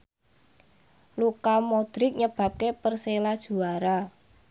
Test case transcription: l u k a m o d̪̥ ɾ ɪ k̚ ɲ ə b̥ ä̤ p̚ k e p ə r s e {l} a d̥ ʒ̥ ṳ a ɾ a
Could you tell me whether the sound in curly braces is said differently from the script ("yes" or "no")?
no